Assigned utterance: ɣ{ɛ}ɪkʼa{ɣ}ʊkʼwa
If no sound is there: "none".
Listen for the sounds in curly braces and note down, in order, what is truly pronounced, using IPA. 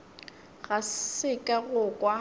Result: a, ɣ

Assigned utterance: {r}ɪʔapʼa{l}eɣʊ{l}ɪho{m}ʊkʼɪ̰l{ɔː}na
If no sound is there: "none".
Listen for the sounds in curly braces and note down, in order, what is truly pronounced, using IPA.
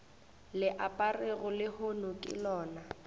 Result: l, r, l, n, ɔː

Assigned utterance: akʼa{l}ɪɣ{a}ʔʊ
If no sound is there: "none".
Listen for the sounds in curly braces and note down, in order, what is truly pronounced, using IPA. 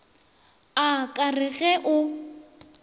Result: r, ɛ

